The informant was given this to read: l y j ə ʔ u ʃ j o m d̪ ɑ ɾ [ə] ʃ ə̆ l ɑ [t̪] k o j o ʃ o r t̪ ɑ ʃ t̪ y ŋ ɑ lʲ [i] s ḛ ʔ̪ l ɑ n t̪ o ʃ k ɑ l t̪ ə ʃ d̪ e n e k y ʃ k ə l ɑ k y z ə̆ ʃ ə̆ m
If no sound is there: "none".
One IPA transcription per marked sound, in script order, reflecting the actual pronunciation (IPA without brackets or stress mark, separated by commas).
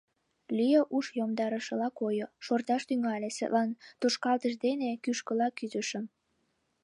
ə, none, e